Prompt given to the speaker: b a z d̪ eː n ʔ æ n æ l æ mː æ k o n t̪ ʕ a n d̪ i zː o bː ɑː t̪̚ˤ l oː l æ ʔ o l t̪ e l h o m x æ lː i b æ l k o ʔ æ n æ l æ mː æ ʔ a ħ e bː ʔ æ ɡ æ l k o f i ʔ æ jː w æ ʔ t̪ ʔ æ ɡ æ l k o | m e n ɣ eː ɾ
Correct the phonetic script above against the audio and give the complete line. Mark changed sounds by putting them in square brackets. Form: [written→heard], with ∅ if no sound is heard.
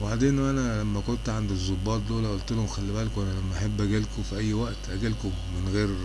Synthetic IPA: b a [z→ʕ] d̪ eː n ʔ æ n æ l æ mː æ k o n t̪ ʕ a n d̪ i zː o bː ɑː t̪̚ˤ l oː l æ ʔ o l t̪ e l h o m x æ lː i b æ l k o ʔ æ n æ l æ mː æ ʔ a ħ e bː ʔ æ ɡ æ l k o f i ʔ æ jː w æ ʔ t̪ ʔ æ ɡ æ l k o | m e n ɣ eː ɾ